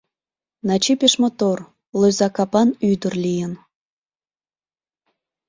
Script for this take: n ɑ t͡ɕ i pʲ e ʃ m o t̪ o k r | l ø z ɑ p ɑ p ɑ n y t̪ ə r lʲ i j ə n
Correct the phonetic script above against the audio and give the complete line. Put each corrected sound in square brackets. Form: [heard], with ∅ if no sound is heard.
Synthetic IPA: n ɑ t͡ɕ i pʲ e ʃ m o t̪ o [∅] r | l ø z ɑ [k] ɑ p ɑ n y [d̪] ə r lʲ i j ə n

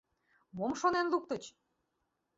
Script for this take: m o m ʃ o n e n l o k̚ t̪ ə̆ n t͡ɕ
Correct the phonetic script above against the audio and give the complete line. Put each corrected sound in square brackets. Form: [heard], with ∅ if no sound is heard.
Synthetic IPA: m o m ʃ o n e n l [u] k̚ t̪ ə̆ [∅] t͡ɕ

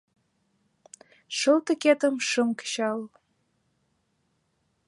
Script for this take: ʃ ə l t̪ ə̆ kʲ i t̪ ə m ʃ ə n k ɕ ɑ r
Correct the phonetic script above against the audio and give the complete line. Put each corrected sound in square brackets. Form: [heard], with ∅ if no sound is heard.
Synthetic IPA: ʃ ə l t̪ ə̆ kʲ [e] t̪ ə m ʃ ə [m] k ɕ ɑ [l]

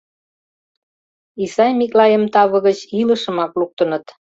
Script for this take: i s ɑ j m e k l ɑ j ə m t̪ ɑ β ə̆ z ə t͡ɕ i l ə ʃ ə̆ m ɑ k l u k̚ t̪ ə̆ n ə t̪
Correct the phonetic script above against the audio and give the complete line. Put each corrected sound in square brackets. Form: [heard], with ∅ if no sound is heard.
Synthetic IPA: i s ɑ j m [i] k l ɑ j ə m t̪ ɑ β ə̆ [ɣ] ə t͡ɕ i l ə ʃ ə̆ m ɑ k l u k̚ t̪ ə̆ n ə t̪

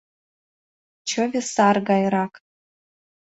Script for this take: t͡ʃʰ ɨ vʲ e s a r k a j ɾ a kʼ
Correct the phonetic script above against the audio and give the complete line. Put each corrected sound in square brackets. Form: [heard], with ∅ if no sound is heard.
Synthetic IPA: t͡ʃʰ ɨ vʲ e s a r [ɡ] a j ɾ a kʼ

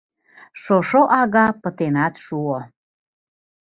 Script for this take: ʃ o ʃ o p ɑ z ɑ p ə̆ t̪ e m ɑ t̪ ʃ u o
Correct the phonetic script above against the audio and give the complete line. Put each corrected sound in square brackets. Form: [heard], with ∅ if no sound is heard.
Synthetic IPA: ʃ o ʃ o [ʔ] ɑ [ɣ] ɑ p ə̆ t̪ e [n] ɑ t̪ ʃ u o

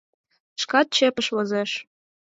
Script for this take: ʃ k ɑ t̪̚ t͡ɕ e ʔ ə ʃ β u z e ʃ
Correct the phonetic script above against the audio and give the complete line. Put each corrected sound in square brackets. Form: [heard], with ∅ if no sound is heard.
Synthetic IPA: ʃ k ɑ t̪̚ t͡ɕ e [p] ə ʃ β [o] z e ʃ

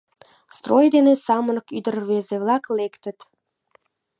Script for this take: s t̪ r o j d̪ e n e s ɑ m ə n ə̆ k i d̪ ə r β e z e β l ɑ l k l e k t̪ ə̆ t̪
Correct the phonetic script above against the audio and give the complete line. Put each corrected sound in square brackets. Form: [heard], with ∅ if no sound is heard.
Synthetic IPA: s t̪ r o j d̪ e n e s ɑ m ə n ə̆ k [y] d̪ ə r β e z e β l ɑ [∅] k l e k t̪ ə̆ t̪

